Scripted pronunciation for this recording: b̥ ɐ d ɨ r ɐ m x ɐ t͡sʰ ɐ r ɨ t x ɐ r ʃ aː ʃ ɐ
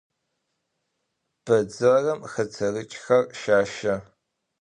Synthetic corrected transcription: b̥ ɐ d͡z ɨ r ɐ m x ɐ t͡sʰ ɐ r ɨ t͡ʃʼ x ɐ r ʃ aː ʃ ɐ

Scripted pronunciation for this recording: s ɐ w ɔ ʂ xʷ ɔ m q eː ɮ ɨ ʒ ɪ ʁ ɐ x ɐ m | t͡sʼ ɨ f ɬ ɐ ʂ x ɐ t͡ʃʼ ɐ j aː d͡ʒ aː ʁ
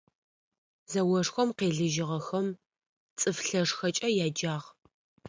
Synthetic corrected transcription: z ɐ w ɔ ʂ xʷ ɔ m q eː ɮ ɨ ʒ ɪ ʁ ɐ x ɐ m | t͡sʼ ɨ f ɬ ɐ ʂ x ɐ t͡ʃʼ ɐ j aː d͡ʒ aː ʁ

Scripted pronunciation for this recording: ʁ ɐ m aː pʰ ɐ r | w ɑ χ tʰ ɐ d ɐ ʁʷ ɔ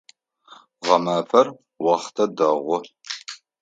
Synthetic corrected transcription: ʁ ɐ m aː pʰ ɐ r | w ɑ χ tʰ ɐ d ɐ ʁʷ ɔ

